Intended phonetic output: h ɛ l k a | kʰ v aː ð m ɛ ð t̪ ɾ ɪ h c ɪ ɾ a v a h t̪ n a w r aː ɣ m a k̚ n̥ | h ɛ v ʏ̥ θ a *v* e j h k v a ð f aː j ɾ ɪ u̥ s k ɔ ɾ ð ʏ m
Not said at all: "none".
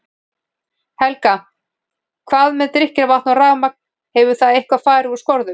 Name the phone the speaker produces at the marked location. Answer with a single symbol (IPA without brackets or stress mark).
ð